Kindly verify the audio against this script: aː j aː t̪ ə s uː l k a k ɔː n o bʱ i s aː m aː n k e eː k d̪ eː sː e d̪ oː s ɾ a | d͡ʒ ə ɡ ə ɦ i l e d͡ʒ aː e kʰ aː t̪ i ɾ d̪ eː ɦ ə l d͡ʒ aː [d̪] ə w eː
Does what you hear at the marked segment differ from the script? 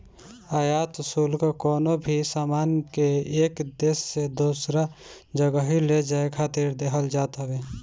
yes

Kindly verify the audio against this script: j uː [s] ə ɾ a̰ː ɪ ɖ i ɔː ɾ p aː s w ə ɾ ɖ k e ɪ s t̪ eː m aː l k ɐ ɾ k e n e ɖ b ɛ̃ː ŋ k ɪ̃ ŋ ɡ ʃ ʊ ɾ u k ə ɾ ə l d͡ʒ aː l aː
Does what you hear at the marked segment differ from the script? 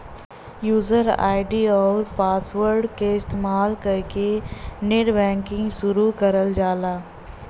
yes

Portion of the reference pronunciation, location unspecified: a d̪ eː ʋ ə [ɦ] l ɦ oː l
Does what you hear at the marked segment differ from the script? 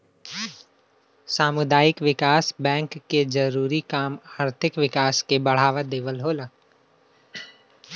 yes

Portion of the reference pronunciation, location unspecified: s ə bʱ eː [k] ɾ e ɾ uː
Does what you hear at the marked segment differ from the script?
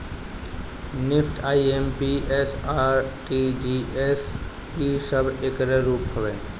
no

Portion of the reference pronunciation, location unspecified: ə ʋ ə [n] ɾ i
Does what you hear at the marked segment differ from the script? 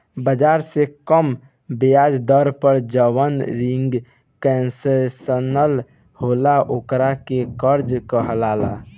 no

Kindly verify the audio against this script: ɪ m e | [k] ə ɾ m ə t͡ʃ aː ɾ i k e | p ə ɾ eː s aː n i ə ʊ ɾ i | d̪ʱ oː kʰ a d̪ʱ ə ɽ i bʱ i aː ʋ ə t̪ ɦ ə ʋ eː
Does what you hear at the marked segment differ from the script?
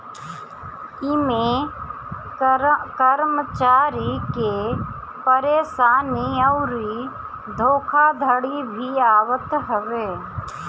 no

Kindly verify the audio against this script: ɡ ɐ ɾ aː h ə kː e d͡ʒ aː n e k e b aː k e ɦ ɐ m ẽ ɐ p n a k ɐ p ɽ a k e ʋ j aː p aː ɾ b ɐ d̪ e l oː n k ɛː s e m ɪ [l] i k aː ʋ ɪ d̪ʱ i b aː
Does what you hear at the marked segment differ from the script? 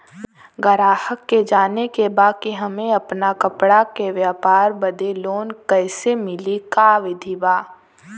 no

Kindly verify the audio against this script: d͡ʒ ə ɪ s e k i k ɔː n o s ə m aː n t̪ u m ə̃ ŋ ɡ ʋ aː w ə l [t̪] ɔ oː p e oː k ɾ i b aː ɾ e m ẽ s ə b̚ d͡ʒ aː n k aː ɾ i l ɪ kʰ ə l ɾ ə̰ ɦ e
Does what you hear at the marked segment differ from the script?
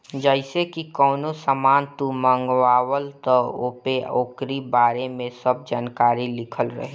no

